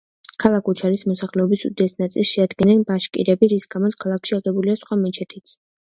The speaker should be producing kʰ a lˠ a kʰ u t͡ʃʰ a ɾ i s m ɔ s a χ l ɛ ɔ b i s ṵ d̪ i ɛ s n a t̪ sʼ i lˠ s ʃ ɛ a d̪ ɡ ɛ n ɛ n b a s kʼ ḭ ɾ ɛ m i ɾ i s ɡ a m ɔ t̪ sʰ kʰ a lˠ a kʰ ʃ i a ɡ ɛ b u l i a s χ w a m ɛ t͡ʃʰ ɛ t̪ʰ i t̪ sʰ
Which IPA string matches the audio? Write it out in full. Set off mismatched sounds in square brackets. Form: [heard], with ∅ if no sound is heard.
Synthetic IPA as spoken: kʰ a lˠ a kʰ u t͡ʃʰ a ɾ i s m ɔ s a χ l ɛ ɔ b i s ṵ d̪ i ɛ s n a t̪ sʼ i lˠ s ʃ ɛ a d̪ ɡ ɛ n ɛ n b a [ʃ] kʼ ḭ ɾ ɛ [b] i ɾ i s ɡ a m ɔ t̪ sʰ kʰ a lˠ a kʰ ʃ i a ɡ ɛ b u l i a s χ w a m ɛ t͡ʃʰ ɛ t̪ʰ i t̪ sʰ